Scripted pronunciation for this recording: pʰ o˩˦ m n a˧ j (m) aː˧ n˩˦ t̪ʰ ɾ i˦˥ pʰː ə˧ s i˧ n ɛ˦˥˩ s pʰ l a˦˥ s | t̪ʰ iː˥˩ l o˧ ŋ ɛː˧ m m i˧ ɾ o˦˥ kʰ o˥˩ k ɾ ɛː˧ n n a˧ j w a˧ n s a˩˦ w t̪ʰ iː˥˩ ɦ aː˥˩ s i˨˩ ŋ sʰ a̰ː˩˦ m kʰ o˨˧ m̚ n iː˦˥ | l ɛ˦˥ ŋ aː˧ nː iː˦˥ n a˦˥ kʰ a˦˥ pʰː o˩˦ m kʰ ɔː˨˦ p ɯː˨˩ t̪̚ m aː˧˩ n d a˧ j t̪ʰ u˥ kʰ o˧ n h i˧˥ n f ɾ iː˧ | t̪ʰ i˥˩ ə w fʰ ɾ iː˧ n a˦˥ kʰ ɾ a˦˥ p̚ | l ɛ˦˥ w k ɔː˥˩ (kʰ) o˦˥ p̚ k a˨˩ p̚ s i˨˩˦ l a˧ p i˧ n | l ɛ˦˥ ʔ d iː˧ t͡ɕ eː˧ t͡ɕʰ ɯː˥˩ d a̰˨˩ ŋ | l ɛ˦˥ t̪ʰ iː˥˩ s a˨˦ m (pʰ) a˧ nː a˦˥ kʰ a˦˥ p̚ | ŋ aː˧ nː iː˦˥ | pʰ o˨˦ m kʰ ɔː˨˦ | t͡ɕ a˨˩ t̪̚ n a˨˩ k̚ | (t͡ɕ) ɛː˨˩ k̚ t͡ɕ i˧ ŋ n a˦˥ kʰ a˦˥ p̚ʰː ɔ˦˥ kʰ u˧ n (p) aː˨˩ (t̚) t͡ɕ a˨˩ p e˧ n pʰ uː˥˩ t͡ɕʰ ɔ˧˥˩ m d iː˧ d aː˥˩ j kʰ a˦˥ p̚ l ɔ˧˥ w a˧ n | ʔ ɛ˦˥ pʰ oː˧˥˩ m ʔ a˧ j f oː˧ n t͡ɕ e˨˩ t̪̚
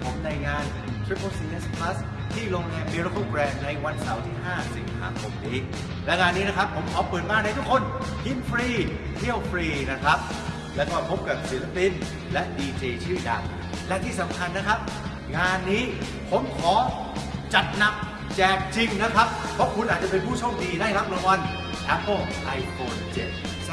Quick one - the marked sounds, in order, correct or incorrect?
incorrect, incorrect, incorrect, correct, incorrect, correct

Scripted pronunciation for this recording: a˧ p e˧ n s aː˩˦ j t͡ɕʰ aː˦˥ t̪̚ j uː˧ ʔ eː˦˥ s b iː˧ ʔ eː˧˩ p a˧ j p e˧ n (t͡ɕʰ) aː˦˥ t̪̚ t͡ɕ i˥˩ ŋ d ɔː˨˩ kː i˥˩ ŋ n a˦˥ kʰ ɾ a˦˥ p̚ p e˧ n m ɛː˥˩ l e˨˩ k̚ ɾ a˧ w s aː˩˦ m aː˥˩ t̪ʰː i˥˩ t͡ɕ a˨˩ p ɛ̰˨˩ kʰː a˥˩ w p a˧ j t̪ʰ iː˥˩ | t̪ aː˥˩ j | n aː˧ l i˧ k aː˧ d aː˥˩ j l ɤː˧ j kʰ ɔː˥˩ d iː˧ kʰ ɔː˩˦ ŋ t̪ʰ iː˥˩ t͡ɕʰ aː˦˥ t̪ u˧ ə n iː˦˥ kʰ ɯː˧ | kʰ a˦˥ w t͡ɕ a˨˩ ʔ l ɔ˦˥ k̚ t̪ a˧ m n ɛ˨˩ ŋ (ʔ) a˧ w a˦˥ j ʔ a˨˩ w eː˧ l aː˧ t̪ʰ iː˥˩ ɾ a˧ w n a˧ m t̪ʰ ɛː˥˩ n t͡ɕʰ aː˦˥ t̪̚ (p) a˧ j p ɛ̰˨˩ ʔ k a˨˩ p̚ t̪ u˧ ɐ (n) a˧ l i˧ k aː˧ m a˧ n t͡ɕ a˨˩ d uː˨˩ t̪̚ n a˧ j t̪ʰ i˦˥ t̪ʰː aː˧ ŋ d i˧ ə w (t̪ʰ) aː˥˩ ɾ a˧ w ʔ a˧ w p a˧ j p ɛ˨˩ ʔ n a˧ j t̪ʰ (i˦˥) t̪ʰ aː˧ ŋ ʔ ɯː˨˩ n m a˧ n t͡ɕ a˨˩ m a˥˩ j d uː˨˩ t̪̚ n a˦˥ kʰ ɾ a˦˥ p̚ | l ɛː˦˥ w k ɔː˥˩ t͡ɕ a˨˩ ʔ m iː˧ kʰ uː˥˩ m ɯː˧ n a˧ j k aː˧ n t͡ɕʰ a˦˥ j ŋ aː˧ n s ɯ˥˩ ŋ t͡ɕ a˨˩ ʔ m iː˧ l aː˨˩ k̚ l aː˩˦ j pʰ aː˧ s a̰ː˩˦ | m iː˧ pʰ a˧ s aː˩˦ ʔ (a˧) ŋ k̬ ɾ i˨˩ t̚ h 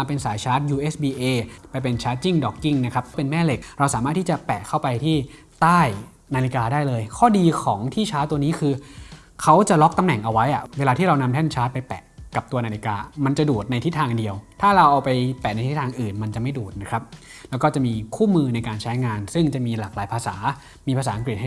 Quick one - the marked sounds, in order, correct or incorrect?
correct, correct, correct, correct, correct, correct, correct

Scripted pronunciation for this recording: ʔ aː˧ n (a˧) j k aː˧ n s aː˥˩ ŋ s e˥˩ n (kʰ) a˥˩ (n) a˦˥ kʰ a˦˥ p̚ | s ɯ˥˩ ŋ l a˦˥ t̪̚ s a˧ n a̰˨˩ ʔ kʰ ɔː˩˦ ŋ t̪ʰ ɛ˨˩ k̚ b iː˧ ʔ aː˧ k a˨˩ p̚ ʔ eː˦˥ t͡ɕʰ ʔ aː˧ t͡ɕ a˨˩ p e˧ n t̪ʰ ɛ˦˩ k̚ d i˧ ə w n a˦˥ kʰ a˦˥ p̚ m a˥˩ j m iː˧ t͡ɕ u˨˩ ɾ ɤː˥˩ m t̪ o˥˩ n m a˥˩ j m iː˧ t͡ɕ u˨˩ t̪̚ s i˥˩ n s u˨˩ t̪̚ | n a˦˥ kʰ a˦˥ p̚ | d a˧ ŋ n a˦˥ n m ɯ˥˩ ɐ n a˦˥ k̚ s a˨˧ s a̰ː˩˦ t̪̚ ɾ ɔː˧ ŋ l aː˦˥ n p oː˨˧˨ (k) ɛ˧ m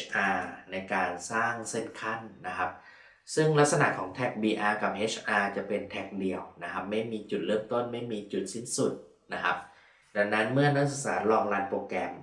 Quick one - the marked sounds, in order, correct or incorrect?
correct, correct, incorrect, correct

